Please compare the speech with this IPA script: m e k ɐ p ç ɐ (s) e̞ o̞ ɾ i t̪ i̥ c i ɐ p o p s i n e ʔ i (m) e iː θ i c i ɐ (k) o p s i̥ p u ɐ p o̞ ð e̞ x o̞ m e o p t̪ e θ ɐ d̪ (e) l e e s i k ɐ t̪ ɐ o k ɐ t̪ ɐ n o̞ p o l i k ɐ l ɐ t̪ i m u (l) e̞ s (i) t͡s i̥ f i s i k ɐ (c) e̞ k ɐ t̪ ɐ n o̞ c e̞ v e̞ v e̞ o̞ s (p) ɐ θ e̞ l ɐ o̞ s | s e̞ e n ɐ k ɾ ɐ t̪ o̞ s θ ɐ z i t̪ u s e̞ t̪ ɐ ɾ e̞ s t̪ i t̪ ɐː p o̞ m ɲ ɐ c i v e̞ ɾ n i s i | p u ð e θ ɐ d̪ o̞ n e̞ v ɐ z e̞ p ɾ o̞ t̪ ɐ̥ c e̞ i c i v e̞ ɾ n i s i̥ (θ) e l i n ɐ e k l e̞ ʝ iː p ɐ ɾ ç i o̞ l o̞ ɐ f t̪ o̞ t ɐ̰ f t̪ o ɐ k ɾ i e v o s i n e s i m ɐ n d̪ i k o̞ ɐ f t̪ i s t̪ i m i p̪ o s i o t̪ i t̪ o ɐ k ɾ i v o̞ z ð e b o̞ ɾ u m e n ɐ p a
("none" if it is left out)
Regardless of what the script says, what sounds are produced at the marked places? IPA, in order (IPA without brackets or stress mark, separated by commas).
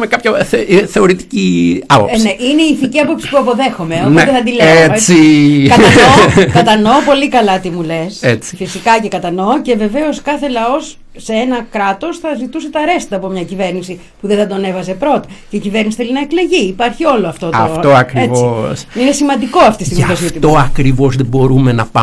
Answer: θ, n, p, i, l, e, c, k, θ